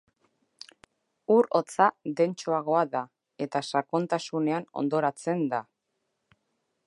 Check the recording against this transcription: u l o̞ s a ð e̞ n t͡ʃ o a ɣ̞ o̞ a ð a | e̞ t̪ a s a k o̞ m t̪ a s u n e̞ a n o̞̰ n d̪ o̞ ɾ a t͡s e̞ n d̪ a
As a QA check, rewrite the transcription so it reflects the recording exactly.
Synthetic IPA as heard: u ɾ o̞ t͡s a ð e̞ n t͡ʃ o a ɣ̞ o̞ a ð a | e̞ t̪ a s a k o̞ n t̪ a s u n e̞ a n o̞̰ n d̪ o̞ ɾ a t͡s e̞ n d̪ a